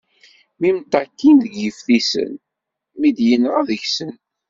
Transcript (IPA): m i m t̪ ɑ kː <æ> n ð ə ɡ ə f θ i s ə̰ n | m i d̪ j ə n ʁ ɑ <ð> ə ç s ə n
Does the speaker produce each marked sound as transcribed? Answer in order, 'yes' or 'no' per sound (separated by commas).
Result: no, yes